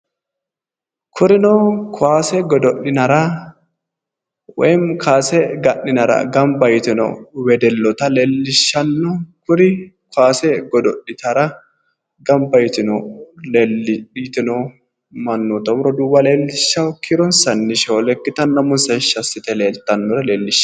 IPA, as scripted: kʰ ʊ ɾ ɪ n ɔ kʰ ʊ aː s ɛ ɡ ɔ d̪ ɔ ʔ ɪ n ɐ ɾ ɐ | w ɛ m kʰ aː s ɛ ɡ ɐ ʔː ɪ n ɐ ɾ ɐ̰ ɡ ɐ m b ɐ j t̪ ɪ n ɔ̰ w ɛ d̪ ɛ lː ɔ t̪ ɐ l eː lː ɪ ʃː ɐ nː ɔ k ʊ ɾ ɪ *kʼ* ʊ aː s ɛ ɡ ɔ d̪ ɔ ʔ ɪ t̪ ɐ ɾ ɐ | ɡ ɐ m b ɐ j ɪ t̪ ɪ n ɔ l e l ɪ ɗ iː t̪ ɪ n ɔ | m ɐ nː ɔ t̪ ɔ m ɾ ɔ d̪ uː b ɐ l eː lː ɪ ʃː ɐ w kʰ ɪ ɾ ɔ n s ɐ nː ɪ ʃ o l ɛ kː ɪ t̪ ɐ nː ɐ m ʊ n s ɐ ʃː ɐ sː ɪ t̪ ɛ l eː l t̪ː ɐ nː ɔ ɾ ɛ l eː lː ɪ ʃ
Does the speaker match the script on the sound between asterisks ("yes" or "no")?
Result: no